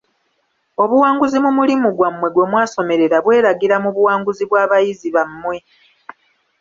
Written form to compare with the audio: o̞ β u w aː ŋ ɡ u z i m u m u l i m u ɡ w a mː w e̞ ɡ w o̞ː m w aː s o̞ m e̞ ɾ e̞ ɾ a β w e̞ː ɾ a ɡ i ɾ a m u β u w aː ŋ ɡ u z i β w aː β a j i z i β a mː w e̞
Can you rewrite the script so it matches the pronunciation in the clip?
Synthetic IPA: o̞ β u w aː ŋ ɡ u z i m u m u l i m u ɡ w a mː w e̞ ɡ w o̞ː m w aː s o̞ m e̞ ɾ e̞ ɾ a β w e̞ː ɾ a ɡ i ɾ a m u β u w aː ŋ ɡ u z i β w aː β a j i z i β a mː w e̞

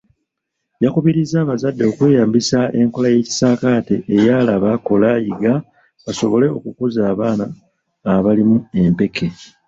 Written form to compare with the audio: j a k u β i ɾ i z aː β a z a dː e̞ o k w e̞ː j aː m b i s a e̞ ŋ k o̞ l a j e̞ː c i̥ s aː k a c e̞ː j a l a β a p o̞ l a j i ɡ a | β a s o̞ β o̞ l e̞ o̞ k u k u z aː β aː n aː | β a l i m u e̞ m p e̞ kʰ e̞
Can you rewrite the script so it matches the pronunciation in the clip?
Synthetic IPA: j a k u β i ɾ i z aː β a z a dː e̞ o k w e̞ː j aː m b i s a e̞ ŋ k o̞ l a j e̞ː c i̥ s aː k a t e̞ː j a l a β a k o̞ l a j i ɡ a | β a s o̞ β o̞ l e̞ o̞ k u k u z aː β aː n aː | β a l i m u e̞ m p e̞ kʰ e̞

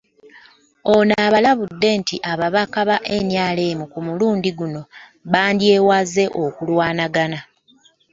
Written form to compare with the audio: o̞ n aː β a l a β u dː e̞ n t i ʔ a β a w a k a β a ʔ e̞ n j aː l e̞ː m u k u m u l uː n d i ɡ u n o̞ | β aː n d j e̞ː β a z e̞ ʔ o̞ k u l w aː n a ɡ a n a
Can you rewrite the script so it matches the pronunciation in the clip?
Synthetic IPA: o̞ n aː β a l a β u dː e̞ n t i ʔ a β a β a k a β a ʔ e̞ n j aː l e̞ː m u k u m u l uː n d i ɡ u n o̞ | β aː n d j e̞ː w a z e̞ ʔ o̞ k u l w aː n a ɡ a n a

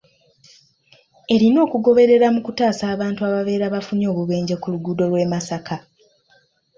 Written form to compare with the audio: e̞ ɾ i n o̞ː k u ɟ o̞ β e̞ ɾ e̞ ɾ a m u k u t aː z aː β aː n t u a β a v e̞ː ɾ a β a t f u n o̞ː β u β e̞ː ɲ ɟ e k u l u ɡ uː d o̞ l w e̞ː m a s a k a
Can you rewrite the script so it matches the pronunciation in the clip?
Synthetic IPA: e̞ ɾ i n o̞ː k u ɡ o̞ β e̞ ɾ e̞ ɾ a m u k u t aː s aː β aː n t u a β a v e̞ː ɾ a β a f u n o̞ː β u β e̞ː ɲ ɟ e k u l u ɡ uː d o̞ l w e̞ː m a s a k a

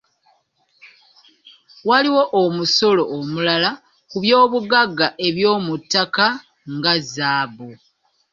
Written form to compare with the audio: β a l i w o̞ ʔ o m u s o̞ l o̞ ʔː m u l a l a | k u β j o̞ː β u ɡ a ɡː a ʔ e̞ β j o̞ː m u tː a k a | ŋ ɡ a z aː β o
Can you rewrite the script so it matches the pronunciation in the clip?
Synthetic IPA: w a l i w o̞ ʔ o m u s o̞ l o̞ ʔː m u l a l a | k u β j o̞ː β u ɡ a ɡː a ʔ e̞ β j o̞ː m u tː a k a | ŋ ɡ a z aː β o

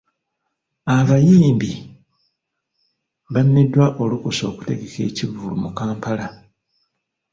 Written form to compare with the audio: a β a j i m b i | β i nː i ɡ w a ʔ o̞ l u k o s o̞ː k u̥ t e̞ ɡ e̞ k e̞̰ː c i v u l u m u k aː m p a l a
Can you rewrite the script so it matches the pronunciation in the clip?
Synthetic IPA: a β a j iː m b i | β a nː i d w a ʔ o̞ l u k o s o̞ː k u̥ t e̞ ɡ e̞ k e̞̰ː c i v u l u m u k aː m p a l a

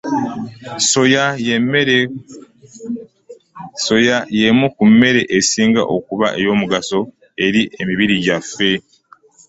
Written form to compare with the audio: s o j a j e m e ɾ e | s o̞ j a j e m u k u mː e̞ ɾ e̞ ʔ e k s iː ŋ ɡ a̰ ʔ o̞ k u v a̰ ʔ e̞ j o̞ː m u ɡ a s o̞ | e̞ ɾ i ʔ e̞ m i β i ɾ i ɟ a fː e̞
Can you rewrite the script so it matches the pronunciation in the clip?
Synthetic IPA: s o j a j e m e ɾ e | s o̞ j a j e m u k u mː e̞ ɾ e̞ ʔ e s iː ŋ ɡ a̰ ʔ o̞ k u β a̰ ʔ e̞ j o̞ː m u ɡ a s o̞ | e̞ ɾ i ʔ e̞ m i β i ɾ i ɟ a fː e̞

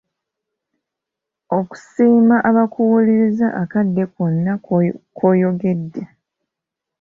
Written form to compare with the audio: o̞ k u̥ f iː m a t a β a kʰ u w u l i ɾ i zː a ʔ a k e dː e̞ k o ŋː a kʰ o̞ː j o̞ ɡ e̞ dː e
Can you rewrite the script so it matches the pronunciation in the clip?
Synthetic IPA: o̞ k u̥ s iː m a ʔ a β a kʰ u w u l i ɾ i z a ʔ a k a dː e̞ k o nː a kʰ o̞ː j o̞ ɡ e̞ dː e

